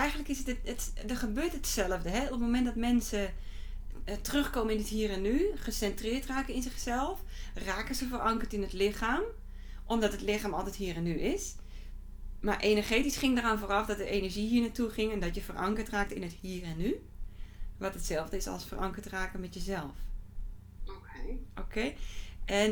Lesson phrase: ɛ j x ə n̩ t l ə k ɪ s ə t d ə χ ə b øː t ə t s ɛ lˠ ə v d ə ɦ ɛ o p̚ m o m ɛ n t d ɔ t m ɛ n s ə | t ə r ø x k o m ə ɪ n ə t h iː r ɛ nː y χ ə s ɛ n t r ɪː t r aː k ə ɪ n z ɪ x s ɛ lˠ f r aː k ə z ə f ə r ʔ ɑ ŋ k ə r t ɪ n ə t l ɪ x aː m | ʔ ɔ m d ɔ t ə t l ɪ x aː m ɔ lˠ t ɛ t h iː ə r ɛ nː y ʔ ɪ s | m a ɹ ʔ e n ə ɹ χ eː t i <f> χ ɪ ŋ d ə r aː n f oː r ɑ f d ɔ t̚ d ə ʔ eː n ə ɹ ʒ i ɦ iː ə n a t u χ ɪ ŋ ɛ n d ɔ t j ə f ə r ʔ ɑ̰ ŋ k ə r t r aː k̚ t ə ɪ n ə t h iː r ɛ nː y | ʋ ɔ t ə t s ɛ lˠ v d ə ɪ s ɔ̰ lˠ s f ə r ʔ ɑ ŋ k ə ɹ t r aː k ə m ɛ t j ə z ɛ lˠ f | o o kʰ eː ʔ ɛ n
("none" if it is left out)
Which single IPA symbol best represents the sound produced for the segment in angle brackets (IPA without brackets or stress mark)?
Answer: s